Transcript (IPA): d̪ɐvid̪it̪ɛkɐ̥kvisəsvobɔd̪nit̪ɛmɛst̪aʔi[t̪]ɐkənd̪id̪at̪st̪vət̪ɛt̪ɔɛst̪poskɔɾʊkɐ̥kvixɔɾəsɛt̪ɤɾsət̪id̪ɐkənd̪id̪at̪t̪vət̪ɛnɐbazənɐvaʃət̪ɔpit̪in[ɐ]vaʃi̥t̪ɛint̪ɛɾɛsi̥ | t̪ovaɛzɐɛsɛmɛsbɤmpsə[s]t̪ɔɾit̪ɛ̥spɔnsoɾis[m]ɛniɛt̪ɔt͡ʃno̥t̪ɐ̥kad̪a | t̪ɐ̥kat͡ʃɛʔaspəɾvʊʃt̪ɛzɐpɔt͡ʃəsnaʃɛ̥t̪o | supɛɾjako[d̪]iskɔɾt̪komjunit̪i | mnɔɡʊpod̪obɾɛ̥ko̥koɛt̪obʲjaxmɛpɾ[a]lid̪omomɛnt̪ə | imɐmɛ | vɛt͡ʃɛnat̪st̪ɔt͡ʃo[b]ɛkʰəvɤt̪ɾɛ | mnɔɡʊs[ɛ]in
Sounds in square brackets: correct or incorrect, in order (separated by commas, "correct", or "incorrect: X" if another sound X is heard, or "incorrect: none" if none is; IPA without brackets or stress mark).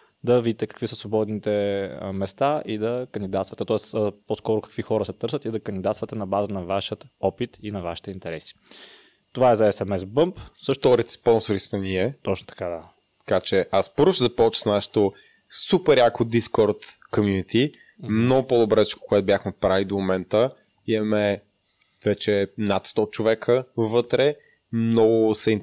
incorrect: d̪, correct, incorrect: ʃ, correct, correct, correct, incorrect: v, correct